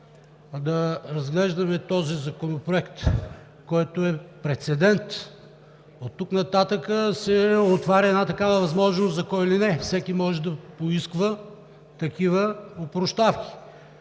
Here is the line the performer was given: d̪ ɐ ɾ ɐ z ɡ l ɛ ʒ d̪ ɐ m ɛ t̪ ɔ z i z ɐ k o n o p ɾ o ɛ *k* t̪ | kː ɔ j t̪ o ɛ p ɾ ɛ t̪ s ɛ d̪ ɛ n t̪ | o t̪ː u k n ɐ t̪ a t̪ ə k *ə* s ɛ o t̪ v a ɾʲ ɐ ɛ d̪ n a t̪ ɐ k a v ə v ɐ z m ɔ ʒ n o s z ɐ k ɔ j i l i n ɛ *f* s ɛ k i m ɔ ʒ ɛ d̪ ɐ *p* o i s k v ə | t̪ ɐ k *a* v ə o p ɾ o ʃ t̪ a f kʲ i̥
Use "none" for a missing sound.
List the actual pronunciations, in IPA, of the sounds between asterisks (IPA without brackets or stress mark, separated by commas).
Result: k, ə, f, p, i